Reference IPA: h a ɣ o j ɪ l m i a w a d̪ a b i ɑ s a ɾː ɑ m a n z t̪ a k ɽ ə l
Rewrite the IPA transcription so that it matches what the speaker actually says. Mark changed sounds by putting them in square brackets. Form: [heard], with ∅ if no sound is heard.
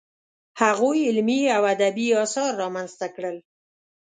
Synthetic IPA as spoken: h a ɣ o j ɪ l m i a w a d̪ a b i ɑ s [ɑ] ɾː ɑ m a n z t̪ a k ɽ ə l